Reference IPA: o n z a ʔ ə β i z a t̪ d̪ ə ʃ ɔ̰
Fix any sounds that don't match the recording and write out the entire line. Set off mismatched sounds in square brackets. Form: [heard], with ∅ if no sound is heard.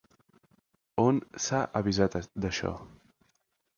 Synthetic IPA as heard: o n [s] a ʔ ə β i z a t̪ d̪ ə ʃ ɔ̰

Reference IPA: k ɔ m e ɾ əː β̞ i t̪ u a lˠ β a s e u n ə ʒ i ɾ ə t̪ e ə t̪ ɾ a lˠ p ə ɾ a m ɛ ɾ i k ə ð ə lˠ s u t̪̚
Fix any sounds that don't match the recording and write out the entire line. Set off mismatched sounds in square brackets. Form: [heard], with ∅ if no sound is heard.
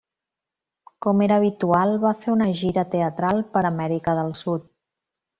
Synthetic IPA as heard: k ɔ m e ɾ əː β̞ i t̪ u a lˠ β a [f] e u n ə ʒ i ɾ ə t̪ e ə t̪ ɾ a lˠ p ə ɾ [ə] m ɛ ɾ i k ə ð ə lˠ s u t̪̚

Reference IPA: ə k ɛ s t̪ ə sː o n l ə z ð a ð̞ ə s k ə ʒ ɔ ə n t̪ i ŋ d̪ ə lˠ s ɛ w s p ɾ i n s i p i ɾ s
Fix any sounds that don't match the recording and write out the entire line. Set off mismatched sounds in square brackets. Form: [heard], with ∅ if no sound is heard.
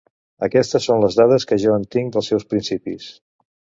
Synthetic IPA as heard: ə k ɛ s t̪ ə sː o n l ə z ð a ð̞ ə s k ə ʒ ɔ ə n t̪ i ŋ d̪ ə lˠ s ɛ w s p ɾ i n s i p i [∅] s

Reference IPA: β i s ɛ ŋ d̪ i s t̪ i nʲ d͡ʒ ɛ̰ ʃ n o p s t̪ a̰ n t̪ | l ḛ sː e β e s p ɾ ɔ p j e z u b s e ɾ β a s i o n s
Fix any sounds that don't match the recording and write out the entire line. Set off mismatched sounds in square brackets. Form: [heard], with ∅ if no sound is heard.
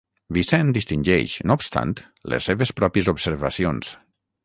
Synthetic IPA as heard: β i s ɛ [n] d̪ i s t̪ i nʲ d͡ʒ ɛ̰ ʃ n o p s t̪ a̰ n t̪ | l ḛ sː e β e s p ɾ ɔ p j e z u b s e ɾ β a s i o n s

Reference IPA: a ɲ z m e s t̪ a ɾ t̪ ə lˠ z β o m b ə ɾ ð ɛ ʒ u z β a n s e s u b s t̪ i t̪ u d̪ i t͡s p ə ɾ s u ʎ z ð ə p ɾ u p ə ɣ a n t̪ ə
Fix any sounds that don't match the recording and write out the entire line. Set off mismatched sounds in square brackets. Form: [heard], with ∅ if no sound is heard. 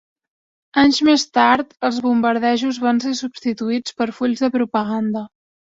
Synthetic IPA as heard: a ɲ z m e s t̪ a ɾ t̪ ə lˠ z β [u] m b ə ɾ ð ɛ ʒ u z β a n s e s u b s t̪ i t̪ u [∅] i t͡s p ə ɾ [f] u ʎ z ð ə p ɾ u p ə ɣ a n [d̪] ə

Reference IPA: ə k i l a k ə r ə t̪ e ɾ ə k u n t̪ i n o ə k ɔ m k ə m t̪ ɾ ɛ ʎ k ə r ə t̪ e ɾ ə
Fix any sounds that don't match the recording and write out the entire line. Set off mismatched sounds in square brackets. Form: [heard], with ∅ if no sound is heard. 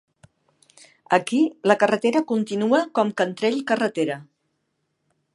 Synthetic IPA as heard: ə k i l [ə] k ə r ə t̪ e ɾ ə k u n t̪ i n [u] ə k ɔ m k ə [n] t̪ ɾ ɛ ʎ k ə r ə t̪ e ɾ ə

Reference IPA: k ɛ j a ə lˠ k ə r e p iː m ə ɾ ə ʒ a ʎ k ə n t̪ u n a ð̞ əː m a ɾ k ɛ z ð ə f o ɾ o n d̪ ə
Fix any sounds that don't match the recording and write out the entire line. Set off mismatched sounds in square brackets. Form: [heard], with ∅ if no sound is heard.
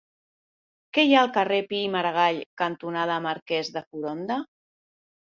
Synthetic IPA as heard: k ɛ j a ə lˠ k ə r e p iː m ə ɾ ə [ɣ] a ʎ k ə n t̪ u n a ð̞ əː m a ɾ k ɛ z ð ə f [u] ɾ o n d̪ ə

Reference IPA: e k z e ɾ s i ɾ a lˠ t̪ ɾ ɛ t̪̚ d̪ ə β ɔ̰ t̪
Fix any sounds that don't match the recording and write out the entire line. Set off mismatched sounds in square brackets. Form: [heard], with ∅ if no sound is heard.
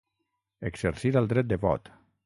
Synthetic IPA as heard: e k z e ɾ s i ɾ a lˠ [d̪] ɾ ɛ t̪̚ d̪ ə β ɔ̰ t̪

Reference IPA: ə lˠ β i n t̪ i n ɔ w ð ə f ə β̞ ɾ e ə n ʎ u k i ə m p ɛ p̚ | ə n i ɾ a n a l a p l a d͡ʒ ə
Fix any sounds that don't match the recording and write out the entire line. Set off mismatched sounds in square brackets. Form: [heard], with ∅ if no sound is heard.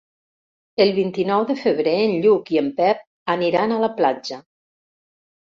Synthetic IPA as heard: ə lˠ β i n t̪ i n ɔ w ð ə f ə β̞ ɾ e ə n ʎ u k i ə m p ɛ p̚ | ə n i ɾ a n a l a p l a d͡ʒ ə

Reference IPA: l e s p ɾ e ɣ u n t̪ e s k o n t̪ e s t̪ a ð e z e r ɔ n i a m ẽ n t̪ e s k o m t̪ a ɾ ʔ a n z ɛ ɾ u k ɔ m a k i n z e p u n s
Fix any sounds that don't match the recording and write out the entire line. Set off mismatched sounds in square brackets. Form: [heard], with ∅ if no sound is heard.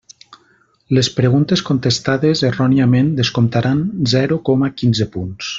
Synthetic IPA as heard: l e s p ɾ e ɣ u n t̪ e s k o n t̪ e s t̪ a ð e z e r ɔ n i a m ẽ n [d̪] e s k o m t̪ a ɾ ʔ a n z ɛ ɾ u k ɔ m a k i n z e p u n s

